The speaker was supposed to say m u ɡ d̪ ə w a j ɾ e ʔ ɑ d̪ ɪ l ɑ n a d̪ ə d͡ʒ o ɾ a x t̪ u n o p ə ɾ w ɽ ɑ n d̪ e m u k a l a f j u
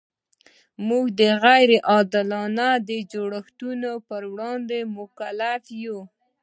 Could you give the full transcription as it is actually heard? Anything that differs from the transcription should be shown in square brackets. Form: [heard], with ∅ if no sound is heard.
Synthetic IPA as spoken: m u ɡ d̪ ə [ɣ] a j ɾ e ʔ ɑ d̪ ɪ l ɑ n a d̪ ə d͡ʒ o [ɽ] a x t̪ u n o p ə ɾ w ɽ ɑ n d̪ e m [ʊ] k a l a f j u

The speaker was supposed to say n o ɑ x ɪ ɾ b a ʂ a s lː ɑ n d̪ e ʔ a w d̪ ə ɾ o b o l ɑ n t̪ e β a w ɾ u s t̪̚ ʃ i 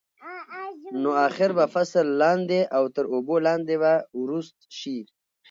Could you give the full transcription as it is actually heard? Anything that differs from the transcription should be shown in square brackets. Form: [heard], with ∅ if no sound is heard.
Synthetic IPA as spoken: n o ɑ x ɪ ɾ b a [f] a s lː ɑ n d̪ e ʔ a w [t̪] ə ɾ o b o l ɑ n [d̪] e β a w ɾ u s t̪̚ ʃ i

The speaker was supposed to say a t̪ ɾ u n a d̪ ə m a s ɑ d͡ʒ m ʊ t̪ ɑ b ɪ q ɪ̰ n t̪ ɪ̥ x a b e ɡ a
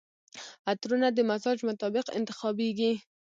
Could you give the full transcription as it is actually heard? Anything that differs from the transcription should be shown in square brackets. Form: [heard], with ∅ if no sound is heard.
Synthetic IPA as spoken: a t̪ ɾ u n a d̪ ə m a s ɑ d͡ʒ m ʊ t̪ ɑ b ɪ q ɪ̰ n t̪ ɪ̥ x [ɑ] b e ɡ [i]

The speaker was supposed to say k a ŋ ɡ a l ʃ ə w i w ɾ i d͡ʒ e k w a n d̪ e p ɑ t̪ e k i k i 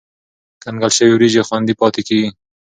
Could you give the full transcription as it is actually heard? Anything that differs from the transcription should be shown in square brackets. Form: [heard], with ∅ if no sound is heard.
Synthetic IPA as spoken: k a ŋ ɡ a l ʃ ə w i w ɾ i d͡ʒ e [x] w a n d̪ [i] p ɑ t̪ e k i [ɡ] i

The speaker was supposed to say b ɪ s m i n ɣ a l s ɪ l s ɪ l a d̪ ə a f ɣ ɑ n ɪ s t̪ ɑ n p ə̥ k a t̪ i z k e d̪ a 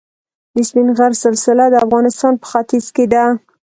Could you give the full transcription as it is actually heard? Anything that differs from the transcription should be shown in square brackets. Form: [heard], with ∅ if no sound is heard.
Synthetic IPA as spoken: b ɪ s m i n ɣ a [ɾ] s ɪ l s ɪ l a d̪ ə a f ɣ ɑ n ɪ s t̪ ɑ n p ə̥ [x] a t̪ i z k e d̪ a

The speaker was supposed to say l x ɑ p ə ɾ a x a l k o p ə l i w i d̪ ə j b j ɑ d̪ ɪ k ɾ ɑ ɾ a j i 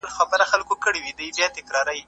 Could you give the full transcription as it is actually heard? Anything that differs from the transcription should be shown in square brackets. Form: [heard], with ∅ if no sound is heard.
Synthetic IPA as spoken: l x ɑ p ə ɾ a x a l k o [k] ə [ɽ] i w i d̪ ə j b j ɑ [t̪] ɪ k ɾ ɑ ɾ a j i

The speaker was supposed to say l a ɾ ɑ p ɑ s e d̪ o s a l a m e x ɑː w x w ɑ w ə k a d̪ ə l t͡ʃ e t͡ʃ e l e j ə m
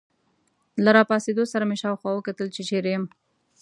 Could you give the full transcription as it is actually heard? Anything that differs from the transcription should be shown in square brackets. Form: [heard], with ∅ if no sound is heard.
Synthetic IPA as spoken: l a ɾ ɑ p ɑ s e d̪ o s a [ɾ] a m e [ʃ] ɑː w x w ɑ w ə k a [t̪] ə l t͡ʃ e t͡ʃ e [ɾ] e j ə m

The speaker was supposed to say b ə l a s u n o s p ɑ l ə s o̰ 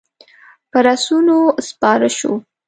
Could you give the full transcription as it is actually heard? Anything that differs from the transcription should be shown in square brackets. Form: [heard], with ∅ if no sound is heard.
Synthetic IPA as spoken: [p] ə [ɾ] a s u n o s p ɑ [ɾ] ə [ʃ] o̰

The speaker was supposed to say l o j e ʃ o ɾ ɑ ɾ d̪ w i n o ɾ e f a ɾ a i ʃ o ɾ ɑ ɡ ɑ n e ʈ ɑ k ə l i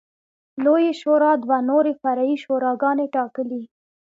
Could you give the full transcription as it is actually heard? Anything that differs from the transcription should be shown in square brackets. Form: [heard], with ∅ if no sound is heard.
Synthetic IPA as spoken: l o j e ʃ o ɾ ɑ [∅] d̪ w [a] n o ɾ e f a ɾ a i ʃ o ɾ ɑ ɡ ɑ n e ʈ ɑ k ə l i

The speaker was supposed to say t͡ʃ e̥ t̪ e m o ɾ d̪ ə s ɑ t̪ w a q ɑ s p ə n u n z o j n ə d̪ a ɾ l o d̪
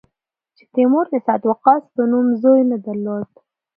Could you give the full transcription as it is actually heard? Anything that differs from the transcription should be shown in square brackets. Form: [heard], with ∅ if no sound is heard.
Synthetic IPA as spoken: t͡ʃ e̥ t̪ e m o ɾ d̪ ə s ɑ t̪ w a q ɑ s p ə n u [m] z o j n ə d̪ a ɾ l o d̪

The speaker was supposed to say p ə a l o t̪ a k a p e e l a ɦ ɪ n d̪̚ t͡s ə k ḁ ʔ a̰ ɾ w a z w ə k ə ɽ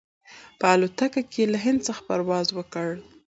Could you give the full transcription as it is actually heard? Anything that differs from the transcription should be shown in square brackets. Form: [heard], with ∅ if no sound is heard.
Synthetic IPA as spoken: p ə a l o t̪ a k a [k] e e l a ɦ ɪ n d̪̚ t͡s ə [x] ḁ [p] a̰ ɾ w [ɑ] z w ə k ə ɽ

